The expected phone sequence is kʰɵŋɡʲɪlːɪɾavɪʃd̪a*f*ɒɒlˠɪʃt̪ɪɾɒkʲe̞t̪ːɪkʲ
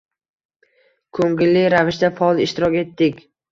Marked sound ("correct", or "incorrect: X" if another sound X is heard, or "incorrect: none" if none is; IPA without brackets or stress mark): correct